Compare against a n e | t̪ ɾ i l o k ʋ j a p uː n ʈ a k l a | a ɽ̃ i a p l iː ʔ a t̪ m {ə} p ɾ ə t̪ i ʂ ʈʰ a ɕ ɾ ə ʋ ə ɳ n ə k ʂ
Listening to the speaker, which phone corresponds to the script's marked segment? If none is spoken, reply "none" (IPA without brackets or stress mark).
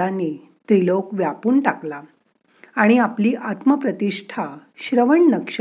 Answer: ə